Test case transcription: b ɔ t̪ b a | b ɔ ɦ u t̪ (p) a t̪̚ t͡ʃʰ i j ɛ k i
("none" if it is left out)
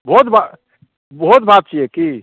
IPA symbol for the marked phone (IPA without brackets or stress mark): b